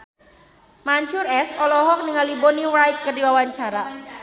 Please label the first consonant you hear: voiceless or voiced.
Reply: voiced